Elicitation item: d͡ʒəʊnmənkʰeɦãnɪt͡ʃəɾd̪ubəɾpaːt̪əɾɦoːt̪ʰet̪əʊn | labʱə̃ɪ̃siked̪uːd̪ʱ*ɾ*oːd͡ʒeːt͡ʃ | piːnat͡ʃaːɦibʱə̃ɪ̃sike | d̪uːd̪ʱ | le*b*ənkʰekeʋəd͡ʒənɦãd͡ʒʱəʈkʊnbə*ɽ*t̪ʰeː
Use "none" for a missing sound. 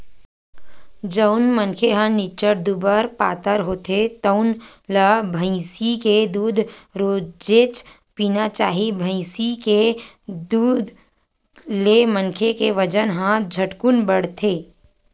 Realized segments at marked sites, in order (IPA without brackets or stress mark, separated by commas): ɾ, m, ɽ